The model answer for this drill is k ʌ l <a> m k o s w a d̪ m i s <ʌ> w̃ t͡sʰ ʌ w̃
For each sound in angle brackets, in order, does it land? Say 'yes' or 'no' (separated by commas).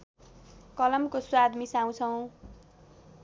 no, no